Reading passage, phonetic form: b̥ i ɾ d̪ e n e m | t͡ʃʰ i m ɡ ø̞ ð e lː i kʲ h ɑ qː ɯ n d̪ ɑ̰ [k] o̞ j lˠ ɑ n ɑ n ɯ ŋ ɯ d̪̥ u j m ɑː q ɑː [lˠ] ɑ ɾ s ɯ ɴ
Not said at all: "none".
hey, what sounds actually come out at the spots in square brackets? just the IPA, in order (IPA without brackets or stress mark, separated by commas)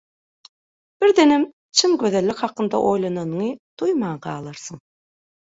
ʔ, lˠ